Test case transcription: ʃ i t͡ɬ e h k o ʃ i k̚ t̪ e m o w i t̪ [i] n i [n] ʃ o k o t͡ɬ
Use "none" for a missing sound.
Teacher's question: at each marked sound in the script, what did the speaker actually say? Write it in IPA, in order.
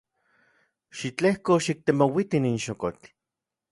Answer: i, n

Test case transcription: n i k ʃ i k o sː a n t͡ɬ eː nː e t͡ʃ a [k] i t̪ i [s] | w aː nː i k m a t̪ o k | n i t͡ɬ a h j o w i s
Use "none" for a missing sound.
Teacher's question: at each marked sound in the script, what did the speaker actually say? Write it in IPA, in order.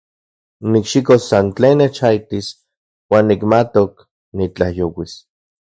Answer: none, s

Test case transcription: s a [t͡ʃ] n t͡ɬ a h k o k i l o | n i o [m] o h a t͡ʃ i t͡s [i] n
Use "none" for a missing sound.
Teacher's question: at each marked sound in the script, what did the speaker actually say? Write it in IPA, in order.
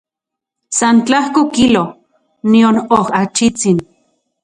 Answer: none, n, i

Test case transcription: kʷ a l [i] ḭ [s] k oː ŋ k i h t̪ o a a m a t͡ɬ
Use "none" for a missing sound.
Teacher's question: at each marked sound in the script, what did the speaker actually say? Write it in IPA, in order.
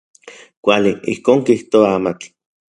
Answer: i, h

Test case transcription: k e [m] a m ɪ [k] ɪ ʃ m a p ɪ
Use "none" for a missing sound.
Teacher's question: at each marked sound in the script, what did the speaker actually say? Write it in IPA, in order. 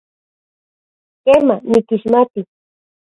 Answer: m, k

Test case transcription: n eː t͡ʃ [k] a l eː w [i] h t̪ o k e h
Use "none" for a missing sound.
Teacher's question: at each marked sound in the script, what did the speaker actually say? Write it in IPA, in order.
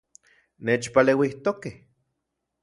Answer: p, i

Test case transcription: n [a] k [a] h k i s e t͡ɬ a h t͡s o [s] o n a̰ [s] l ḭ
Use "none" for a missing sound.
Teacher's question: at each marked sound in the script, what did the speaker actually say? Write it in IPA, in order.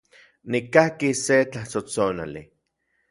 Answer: i, a, t͡s, none

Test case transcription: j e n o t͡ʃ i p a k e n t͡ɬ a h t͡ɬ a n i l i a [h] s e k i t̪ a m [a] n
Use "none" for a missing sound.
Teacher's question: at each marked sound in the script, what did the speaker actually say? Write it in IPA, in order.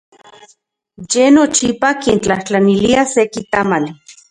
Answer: none, a

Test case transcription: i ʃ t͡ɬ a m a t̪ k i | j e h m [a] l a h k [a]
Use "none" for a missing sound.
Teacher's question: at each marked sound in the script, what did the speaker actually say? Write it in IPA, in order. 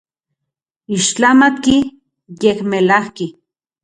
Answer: e, i

